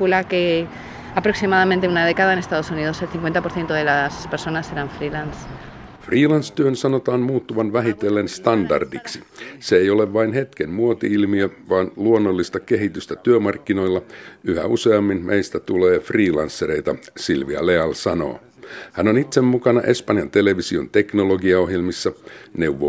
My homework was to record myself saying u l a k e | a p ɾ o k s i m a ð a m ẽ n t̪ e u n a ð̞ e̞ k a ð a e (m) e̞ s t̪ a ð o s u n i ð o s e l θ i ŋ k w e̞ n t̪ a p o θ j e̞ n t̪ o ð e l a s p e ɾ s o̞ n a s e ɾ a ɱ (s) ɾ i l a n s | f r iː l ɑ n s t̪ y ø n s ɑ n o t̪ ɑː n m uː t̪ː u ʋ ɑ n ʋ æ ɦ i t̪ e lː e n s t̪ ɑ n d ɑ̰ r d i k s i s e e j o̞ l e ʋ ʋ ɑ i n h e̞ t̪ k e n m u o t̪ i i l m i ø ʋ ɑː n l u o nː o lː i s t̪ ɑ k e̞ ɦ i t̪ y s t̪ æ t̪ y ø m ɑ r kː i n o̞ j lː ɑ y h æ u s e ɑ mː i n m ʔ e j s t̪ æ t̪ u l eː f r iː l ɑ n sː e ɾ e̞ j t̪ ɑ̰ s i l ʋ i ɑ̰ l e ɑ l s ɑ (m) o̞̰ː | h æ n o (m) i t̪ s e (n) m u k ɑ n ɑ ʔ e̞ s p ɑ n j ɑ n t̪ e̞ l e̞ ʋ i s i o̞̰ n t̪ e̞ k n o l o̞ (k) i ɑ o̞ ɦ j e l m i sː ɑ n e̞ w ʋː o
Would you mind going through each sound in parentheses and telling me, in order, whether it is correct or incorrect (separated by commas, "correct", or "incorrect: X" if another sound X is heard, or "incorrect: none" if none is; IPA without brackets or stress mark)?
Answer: incorrect: n, incorrect: f, incorrect: n, incorrect: n, incorrect: m, incorrect: ɡ